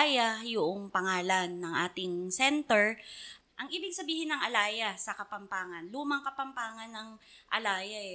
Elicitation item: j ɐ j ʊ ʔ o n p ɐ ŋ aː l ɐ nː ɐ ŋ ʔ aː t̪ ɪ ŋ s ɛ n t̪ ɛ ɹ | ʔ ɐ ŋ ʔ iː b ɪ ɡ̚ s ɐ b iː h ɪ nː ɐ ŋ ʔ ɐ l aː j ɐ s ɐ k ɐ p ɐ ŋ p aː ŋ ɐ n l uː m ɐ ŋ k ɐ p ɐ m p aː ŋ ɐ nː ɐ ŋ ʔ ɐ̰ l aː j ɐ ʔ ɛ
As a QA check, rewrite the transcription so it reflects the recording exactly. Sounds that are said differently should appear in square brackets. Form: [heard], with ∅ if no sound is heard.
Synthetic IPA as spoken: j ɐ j ʊ ʔ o [ŋ] p ɐ ŋ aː l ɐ nː ɐ ŋ ʔ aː t̪ ɪ ŋ s ɛ n t̪ ɛ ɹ | ʔ ɐ ŋ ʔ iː b ɪ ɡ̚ s ɐ b iː h ɪ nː ɐ ŋ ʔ ɐ l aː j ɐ s ɐ k ɐ p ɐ [m] p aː ŋ ɐ n l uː m ɐ ŋ k ɐ p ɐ m p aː ŋ ɐ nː ɐ ŋ ʔ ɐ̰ l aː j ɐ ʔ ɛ